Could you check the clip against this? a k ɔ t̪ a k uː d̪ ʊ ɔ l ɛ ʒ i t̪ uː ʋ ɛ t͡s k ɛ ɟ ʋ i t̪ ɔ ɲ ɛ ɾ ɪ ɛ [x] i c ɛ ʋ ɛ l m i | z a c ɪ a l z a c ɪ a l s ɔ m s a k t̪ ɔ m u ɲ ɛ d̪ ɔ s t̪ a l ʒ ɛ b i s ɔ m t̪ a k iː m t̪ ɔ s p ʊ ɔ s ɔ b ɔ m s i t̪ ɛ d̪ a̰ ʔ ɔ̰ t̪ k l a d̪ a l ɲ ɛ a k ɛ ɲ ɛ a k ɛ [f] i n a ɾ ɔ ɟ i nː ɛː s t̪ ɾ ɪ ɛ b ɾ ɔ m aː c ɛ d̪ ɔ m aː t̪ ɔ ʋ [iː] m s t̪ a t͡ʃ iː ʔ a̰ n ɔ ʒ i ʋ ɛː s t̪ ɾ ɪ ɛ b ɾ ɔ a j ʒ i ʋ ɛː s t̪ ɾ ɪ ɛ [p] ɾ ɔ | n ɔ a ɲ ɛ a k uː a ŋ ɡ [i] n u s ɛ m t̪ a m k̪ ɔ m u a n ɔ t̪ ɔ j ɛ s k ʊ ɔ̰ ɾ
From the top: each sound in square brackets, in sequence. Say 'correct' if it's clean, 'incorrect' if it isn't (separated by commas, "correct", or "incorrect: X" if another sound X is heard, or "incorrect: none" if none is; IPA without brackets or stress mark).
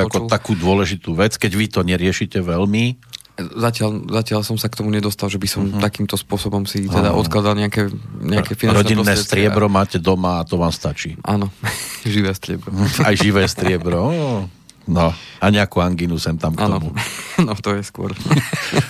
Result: incorrect: ʃ, correct, incorrect: aː, incorrect: b, correct